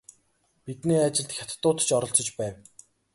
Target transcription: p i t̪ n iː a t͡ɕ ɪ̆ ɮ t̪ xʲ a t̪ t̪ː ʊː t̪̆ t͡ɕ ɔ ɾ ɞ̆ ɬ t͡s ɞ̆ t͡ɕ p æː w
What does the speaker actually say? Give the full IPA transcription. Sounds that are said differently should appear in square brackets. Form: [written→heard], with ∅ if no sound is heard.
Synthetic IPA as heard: p i t̪ n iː a t͡ɕ ɪ̆ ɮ t̪ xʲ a t̪ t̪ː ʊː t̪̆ t͡ɕ ɔ ɾ ɞ̆ ɬ t͡s ɞ̆ t͡ɕ p æː w